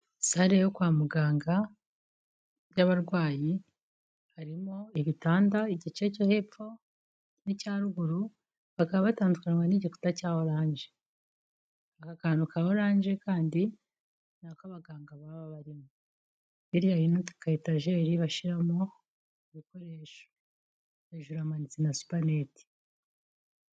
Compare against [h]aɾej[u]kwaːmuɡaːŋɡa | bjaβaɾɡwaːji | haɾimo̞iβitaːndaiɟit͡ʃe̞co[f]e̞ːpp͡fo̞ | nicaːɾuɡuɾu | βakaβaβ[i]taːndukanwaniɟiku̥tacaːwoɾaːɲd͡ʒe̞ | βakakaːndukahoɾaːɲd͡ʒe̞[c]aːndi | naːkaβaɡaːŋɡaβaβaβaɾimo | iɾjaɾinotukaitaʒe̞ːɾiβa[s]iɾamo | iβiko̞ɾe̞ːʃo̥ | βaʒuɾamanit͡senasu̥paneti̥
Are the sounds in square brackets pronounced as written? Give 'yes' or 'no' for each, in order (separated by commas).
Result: no, no, no, no, no, no